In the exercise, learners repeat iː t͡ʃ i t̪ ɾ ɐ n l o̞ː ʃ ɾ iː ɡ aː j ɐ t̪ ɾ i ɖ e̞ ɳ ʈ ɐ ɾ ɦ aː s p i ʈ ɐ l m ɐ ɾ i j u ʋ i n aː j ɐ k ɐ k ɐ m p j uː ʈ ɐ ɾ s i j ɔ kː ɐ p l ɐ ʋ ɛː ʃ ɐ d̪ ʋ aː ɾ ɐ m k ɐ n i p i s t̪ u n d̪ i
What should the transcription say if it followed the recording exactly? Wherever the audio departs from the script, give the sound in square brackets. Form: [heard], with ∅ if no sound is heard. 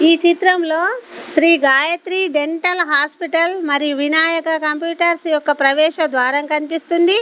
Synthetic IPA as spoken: iː t͡ʃ i t̪ ɾ ɐ [m] l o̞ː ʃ ɾ iː ɡ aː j ɐ t̪ ɾ i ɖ e̞ ɳ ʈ ɐ [l] ɦ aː s p i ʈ ɐ l m ɐ ɾ i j u ʋ i n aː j ɐ k ɐ k ɐ m p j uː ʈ ɐ ɾ s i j ɔ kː ɐ p [ɾ] ɐ ʋ ɛː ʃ ɐ d̪ ʋ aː ɾ ɐ m k ɐ n i p i s t̪ u n d̪ i